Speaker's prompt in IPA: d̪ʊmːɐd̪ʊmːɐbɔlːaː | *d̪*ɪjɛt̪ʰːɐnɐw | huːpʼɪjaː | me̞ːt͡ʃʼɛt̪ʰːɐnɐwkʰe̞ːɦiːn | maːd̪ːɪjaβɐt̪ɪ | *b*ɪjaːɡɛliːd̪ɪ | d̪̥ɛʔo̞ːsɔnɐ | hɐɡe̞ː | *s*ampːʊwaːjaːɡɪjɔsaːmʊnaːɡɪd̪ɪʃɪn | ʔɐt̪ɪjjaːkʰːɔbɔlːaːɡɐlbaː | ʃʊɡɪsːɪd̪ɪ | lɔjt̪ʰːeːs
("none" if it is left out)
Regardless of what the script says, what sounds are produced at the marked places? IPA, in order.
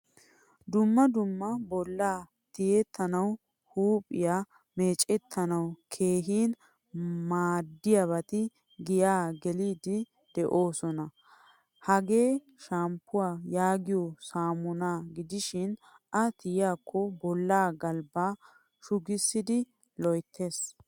t̪, ɡ, ʃ

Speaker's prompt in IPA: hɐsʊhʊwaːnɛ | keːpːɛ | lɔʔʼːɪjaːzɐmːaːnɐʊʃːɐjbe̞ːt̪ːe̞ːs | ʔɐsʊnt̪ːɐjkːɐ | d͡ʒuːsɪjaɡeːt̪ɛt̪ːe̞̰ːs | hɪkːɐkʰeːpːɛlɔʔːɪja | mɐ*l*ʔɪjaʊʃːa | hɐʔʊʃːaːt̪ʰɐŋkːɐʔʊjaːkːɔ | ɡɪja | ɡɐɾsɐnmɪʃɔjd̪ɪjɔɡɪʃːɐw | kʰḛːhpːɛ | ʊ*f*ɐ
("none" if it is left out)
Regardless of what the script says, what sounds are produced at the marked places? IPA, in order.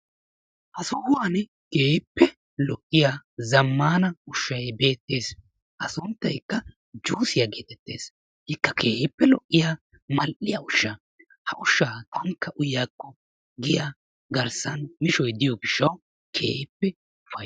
l, f

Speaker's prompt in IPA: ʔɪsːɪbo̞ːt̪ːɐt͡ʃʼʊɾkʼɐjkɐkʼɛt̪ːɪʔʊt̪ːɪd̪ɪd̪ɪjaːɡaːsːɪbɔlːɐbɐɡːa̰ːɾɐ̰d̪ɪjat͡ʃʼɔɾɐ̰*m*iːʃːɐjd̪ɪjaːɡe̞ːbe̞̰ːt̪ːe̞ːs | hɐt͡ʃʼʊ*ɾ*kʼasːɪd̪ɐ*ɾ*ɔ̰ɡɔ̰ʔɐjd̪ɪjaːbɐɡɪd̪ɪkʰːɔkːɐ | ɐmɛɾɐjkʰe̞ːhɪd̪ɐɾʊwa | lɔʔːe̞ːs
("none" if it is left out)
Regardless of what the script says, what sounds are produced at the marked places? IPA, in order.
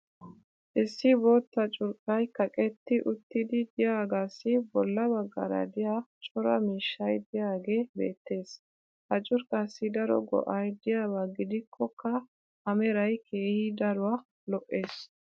m, ɾ, ɾ

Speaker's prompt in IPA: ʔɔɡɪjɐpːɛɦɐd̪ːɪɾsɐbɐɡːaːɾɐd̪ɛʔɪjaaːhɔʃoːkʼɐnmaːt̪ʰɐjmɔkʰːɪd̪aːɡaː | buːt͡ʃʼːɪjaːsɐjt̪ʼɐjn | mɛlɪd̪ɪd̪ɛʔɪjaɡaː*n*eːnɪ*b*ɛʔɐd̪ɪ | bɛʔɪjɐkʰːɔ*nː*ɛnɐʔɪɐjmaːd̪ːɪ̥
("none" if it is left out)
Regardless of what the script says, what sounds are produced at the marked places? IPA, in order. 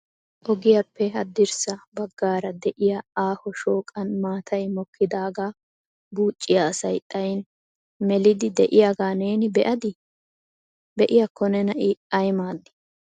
n, b, n

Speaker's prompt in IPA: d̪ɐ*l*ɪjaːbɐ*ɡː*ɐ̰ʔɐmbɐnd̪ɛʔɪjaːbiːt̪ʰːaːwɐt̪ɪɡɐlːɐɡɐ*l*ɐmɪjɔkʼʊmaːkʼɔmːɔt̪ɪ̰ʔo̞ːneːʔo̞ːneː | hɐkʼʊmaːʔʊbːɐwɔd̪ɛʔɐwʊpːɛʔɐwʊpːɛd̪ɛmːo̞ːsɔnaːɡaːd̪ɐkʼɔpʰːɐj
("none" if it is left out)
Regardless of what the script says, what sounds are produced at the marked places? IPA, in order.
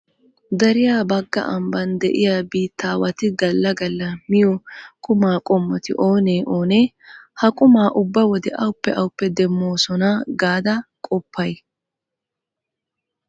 ɾ, ɡː, lː

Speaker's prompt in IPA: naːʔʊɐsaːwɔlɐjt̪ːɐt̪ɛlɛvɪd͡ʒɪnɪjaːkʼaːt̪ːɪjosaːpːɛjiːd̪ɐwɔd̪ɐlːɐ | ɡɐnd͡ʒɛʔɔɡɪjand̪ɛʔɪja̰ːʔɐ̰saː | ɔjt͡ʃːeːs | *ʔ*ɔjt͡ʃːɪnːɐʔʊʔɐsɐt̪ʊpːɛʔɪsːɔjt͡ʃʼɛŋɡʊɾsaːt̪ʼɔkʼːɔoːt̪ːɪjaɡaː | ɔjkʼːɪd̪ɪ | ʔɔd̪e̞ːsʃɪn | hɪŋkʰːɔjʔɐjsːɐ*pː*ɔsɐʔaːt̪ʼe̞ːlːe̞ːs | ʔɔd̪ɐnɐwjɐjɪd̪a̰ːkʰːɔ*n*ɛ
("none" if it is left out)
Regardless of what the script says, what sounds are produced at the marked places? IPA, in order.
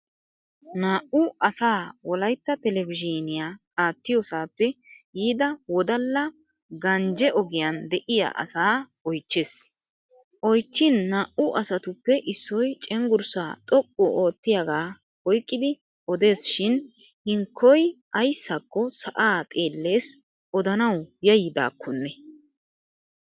ʔ, kː, nː

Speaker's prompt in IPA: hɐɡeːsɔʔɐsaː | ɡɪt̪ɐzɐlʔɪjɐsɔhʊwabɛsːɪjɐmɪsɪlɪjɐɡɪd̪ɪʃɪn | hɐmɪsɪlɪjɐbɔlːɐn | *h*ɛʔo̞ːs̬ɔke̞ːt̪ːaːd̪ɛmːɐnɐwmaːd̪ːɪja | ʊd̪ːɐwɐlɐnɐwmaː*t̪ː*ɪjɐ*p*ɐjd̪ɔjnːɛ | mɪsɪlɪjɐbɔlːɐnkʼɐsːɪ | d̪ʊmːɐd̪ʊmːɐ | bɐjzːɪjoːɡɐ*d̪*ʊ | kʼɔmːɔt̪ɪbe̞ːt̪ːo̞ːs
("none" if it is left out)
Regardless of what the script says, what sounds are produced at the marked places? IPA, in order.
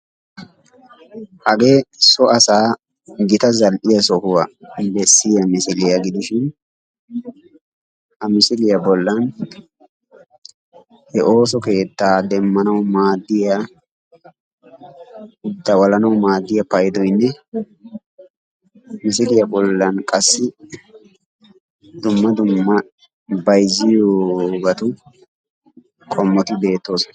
h, d̪ː, p, t̪

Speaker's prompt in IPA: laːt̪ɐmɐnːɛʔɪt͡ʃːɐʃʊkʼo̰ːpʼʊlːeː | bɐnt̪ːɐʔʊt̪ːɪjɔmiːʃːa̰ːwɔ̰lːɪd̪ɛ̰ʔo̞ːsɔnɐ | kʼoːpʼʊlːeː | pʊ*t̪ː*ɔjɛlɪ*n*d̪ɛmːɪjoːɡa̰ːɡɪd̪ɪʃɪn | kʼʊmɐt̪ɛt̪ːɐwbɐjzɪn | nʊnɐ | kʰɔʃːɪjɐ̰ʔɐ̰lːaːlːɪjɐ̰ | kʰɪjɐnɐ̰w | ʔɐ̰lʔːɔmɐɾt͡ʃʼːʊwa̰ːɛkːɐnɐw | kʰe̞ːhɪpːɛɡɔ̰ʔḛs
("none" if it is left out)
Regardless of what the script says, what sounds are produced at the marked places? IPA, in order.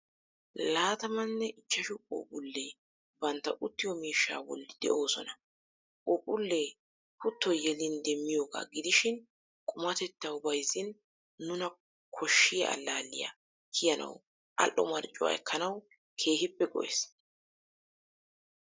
t̪ː, n

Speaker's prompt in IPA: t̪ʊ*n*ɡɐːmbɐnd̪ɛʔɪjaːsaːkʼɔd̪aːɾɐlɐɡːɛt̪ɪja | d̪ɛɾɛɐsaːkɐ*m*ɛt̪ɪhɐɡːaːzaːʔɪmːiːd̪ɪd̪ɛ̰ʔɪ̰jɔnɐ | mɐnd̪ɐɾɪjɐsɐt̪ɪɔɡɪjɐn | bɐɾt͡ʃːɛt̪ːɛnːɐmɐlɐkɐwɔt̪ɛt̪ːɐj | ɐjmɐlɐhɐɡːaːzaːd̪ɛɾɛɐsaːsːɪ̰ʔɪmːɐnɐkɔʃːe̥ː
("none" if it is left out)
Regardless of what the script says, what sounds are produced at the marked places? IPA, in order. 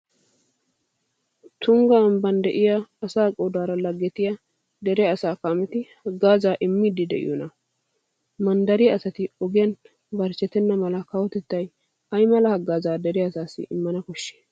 ŋ, m

